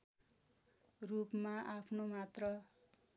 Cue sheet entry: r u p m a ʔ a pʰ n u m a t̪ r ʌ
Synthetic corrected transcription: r u p m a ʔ a pʰ n o m a t̪ r ʌ